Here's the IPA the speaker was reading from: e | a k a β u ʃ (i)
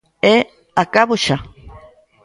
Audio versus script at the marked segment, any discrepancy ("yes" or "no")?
yes